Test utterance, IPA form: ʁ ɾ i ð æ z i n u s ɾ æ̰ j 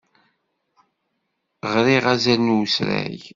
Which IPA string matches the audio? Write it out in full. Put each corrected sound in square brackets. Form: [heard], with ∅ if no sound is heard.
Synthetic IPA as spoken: ʁ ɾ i [ʁ] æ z [æ] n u s ɾ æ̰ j